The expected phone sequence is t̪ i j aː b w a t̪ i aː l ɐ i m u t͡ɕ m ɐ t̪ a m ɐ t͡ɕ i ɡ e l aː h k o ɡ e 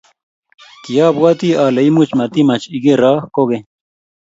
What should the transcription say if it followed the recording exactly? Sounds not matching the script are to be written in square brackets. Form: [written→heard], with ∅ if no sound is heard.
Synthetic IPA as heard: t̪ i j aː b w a t̪ i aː l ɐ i m u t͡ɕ m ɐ t̪ [a→i] m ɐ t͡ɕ i ɡ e [l→ɾ] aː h k o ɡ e